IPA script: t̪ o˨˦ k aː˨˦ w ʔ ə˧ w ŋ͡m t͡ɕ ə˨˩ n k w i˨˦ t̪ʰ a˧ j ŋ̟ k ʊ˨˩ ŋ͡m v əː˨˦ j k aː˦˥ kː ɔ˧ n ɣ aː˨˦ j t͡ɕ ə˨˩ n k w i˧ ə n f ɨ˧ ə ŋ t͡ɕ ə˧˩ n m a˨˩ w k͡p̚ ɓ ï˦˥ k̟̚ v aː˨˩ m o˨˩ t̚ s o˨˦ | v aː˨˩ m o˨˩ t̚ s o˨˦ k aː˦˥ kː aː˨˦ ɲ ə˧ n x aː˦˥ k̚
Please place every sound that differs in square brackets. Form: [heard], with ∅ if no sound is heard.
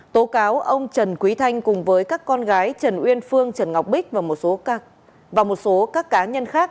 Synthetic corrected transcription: t̪ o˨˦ k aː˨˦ w ʔ ə˧ w ŋ͡m t͡ɕ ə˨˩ n k w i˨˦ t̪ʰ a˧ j ŋ̟ k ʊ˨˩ ŋ͡m v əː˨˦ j k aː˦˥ kː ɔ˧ n ɣ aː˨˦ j t͡ɕ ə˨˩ n [ʔ] w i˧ ə n f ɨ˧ ə ŋ t͡ɕ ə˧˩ n [ŋ] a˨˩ w k͡p̚ ɓ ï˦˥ k̟̚ v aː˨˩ m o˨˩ t̚ s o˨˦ | v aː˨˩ m o˨˩ t̚ s o˨˦ k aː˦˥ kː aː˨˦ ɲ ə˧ n x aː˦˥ k̚